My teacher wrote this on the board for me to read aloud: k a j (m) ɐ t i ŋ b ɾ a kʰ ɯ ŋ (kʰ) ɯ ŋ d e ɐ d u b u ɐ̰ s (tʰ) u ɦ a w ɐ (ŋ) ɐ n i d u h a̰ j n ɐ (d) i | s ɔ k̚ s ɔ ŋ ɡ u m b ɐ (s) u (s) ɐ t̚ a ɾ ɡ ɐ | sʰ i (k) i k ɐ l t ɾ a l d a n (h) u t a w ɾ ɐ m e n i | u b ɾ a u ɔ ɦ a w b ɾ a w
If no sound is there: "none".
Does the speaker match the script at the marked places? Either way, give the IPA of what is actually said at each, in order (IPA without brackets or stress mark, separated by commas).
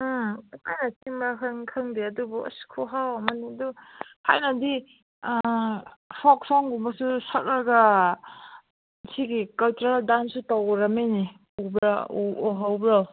n, kʰ, kʰ, m, d, s, s, ɡ, s